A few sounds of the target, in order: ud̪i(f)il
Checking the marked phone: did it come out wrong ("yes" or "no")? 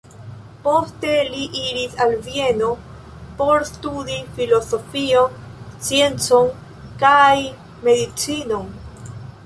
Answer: no